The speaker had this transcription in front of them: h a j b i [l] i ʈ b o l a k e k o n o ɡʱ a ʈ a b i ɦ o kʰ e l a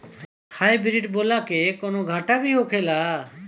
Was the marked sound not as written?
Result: yes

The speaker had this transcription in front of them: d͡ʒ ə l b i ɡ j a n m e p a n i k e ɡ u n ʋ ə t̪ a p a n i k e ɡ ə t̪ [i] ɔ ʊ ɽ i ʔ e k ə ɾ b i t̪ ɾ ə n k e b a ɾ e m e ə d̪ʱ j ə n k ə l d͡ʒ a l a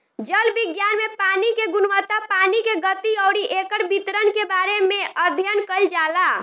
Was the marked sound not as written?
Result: no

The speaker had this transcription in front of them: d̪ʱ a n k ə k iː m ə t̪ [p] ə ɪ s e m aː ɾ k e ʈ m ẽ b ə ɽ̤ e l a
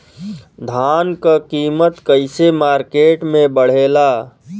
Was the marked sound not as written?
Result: yes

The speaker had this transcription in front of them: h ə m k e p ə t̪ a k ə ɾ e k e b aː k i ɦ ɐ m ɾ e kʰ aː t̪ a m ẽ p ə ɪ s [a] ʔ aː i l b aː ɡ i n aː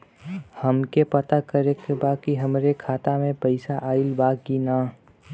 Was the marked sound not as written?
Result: no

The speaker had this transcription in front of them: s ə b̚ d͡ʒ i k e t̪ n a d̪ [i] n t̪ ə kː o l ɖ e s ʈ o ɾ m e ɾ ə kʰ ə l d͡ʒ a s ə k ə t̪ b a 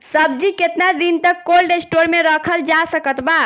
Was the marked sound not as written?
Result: no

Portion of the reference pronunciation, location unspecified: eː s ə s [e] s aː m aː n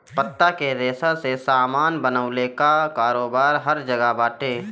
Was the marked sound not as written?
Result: no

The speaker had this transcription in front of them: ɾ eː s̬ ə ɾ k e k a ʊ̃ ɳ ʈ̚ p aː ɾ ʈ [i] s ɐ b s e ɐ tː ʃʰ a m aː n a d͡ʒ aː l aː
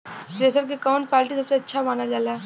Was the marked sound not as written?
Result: no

